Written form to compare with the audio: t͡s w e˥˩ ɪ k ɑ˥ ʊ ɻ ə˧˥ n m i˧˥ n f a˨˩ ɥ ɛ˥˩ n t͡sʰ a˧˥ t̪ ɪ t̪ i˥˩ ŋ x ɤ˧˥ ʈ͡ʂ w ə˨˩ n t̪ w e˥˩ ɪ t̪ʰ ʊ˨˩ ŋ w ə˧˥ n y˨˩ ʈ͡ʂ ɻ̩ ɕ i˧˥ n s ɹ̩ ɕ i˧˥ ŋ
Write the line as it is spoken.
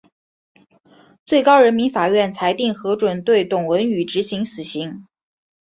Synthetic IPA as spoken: t͡s w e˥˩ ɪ k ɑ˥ ʊ ɻ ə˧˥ n m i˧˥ n f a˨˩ ɥ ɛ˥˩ n t͡sʰ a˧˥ ɪ t̪ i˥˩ ŋ x ɤ˧˥ ʈ͡ʂ w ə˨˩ n t̪ w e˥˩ ɪ t̪ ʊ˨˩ ŋ w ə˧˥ n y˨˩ ʈ͡ʂ ɻ̩ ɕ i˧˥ ŋ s ɹ̩ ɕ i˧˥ ŋ